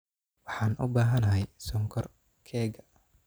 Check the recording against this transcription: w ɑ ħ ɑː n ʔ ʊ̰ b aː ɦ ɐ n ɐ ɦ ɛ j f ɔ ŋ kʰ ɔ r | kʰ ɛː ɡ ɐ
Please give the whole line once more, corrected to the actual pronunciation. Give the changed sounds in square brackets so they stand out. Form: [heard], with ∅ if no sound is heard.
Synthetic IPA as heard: w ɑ ħ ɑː n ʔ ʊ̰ b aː ɦ ɐ n ɐ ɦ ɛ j [s] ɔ ŋ kʰ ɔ r | kʰ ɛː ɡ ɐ